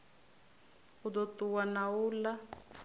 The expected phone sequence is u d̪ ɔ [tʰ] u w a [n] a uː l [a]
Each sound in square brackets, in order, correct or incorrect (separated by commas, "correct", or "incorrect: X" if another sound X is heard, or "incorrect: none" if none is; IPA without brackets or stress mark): incorrect: t, correct, correct